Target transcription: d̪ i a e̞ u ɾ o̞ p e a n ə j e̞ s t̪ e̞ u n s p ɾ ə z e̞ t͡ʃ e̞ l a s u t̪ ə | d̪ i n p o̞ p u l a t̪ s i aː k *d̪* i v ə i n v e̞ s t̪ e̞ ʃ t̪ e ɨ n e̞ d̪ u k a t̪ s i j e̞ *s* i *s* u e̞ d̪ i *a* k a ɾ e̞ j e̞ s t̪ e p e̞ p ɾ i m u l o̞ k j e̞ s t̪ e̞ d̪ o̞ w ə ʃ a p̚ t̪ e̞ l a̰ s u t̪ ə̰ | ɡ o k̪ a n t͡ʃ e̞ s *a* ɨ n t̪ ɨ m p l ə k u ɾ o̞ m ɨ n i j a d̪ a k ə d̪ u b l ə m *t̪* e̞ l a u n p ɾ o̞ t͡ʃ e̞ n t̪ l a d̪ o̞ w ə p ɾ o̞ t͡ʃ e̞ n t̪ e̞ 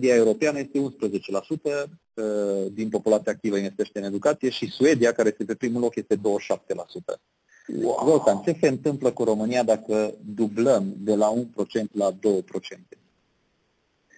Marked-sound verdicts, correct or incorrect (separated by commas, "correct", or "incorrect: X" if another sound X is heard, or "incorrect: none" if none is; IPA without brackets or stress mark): incorrect: t̪, incorrect: ʃ, correct, correct, incorrect: e, incorrect: d̪